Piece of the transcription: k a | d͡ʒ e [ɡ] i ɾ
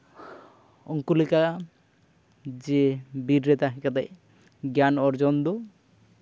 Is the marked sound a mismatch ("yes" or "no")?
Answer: yes